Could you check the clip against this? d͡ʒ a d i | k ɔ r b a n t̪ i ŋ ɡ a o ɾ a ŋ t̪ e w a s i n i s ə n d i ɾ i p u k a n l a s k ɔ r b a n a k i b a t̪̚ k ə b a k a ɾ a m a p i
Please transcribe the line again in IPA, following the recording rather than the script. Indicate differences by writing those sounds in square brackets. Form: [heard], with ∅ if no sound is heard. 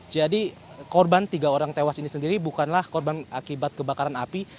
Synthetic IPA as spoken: d͡ʒ a d i | k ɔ r b a n t̪ i [∅] ɡ a o ɾ a ŋ t̪ e w a s i n i s ə n d i ɾ i [b] u k a n l a [h] k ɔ r b a n a k i b a t̪̚ k ə b a k a ɾ a [n] a p i